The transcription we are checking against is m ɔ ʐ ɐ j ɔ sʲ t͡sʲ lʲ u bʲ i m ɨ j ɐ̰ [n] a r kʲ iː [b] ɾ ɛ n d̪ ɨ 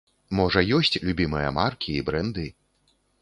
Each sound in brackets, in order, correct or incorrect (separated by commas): incorrect, correct